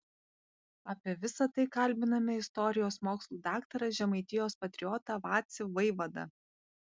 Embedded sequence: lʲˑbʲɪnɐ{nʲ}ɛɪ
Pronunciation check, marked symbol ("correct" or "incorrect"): incorrect